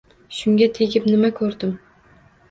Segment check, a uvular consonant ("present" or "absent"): absent